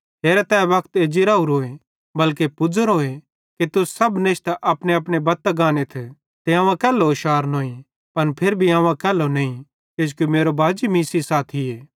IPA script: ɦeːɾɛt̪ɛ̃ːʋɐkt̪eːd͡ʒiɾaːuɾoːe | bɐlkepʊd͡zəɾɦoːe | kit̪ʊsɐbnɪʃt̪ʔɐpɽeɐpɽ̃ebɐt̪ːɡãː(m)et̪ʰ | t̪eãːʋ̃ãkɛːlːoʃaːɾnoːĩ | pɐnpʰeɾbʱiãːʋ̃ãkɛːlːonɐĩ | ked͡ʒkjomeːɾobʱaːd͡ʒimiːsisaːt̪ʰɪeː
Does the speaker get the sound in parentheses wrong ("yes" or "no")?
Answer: yes